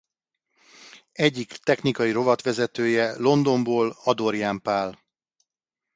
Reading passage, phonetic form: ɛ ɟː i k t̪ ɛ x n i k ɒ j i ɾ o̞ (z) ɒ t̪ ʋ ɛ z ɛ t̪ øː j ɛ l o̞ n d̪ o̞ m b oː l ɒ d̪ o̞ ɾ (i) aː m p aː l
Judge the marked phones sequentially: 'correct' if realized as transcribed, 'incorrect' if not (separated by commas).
incorrect, incorrect